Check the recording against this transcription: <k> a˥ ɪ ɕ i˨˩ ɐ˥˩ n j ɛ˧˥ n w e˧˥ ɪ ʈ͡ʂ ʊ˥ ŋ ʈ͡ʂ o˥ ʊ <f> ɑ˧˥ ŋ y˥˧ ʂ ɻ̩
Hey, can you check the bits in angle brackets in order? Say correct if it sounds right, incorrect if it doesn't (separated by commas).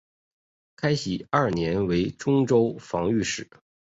incorrect, correct